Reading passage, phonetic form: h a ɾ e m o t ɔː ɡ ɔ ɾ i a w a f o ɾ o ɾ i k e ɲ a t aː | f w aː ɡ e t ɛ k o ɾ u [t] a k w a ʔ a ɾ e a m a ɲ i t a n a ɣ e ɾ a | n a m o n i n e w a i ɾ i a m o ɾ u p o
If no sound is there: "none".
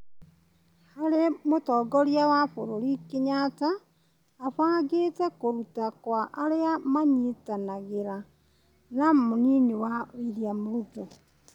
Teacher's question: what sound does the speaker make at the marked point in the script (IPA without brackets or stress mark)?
t